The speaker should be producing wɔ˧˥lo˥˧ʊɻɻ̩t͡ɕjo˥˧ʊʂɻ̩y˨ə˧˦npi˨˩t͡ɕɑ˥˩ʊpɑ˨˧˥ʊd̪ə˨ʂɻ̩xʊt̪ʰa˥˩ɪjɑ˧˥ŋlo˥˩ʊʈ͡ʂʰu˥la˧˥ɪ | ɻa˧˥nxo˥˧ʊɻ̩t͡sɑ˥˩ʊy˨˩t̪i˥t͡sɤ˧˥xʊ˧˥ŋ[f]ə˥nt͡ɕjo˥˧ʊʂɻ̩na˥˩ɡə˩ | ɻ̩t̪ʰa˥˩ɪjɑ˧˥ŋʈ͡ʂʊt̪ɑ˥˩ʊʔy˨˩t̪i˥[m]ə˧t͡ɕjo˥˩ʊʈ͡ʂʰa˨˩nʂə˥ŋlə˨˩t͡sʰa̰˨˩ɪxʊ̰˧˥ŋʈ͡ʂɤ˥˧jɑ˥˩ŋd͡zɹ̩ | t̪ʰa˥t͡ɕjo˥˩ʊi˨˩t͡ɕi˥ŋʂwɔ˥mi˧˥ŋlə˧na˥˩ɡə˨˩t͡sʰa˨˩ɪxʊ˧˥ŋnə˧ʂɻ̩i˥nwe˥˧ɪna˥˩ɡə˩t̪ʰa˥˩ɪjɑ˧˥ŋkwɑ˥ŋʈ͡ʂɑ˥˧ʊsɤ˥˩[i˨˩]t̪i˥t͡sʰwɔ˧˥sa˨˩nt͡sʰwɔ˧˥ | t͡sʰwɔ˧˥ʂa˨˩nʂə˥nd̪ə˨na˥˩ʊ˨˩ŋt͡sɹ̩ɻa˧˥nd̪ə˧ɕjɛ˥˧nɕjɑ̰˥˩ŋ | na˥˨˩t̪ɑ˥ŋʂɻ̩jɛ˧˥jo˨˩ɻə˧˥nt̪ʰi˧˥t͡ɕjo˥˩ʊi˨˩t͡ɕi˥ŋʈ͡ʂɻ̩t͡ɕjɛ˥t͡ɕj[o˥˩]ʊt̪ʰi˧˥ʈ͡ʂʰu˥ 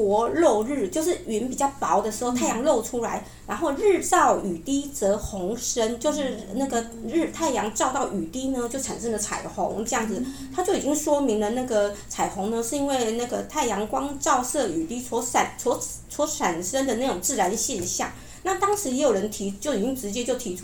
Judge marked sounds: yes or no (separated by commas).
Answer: no, no, no, yes